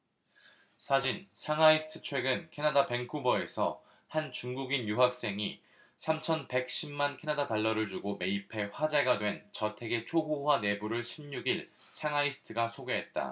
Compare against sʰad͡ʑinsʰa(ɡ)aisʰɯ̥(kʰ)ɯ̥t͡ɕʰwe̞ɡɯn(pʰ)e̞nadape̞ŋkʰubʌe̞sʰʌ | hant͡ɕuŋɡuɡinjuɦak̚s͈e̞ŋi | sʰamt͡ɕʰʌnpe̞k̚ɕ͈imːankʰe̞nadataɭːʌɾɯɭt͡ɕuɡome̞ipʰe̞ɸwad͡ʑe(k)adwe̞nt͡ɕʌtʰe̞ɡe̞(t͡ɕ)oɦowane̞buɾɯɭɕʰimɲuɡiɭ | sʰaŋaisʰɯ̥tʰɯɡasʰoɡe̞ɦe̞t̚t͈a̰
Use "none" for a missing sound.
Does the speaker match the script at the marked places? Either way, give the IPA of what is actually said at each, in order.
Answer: ŋ, tʰ, kʰ, ɡ, t͡ɕʰ

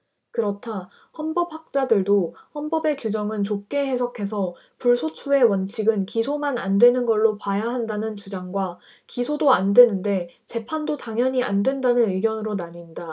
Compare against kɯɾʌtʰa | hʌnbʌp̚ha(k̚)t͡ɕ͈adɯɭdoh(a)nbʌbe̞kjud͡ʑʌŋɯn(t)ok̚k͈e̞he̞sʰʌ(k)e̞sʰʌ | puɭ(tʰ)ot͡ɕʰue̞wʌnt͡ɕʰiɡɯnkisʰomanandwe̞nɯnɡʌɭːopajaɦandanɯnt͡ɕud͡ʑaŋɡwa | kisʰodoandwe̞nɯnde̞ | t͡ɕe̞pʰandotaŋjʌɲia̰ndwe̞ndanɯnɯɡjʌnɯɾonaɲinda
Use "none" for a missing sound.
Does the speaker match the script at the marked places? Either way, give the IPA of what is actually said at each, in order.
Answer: k̚, ʌ, t͡ɕ, kʰ, sʰ

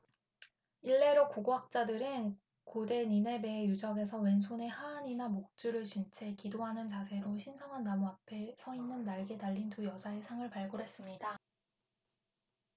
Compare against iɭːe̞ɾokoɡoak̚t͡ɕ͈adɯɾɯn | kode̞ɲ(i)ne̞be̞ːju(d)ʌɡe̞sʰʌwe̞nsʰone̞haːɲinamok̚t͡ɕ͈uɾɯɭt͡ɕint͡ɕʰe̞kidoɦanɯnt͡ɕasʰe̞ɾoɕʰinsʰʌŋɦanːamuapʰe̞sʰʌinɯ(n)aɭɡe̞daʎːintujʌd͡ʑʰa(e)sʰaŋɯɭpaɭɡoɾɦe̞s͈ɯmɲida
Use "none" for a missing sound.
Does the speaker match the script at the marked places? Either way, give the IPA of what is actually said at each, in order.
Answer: i, d͡ʑ, nː, e

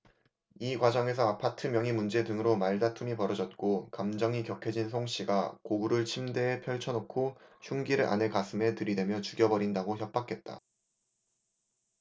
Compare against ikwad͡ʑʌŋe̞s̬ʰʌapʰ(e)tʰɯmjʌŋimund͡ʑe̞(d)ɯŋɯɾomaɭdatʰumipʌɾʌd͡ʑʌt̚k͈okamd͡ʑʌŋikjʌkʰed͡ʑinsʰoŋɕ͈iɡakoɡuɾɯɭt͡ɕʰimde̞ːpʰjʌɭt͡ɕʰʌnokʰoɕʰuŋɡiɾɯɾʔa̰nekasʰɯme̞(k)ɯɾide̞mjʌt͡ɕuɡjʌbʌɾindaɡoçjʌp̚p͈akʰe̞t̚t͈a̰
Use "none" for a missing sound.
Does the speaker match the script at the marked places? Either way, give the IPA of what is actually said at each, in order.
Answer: a, d, t

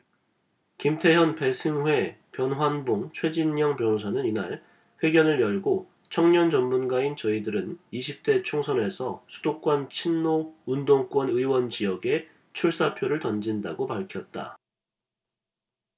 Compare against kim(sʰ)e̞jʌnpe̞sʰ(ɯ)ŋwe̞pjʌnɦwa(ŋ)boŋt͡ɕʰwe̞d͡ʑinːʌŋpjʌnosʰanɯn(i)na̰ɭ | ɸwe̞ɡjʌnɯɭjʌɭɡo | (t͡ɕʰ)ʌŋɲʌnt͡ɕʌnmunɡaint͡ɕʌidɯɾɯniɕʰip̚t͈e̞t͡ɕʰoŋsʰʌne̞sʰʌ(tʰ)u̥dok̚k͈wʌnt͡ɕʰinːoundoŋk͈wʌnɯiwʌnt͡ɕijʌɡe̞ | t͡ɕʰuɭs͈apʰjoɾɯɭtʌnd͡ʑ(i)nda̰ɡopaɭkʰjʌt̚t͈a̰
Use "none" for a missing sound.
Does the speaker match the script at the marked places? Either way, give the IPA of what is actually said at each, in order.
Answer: tʰ, ɯ, n, i, t͡ɕʰ, sʰ, i

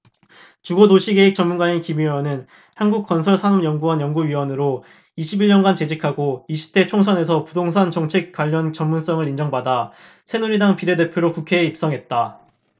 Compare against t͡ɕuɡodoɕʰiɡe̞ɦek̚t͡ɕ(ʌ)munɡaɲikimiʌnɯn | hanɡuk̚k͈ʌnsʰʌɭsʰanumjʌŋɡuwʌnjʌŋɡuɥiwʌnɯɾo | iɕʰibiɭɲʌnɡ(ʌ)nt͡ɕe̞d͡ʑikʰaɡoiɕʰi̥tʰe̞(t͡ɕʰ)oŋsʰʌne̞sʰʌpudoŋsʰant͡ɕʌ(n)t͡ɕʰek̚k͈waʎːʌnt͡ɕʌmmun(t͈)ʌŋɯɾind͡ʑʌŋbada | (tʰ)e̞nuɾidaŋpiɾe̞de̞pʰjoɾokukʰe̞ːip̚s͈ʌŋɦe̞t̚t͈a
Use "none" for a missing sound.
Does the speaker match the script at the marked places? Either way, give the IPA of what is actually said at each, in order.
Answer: ʌ, a, t͡ɕʰ, ŋ, s͈, sʰ

